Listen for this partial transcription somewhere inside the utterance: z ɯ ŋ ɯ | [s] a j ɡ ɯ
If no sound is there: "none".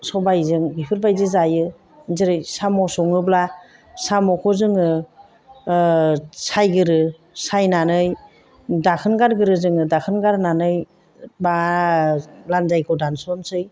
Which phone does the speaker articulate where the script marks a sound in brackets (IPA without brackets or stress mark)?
s